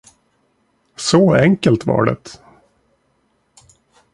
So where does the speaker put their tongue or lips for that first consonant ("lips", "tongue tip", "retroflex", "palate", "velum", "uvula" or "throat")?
tongue tip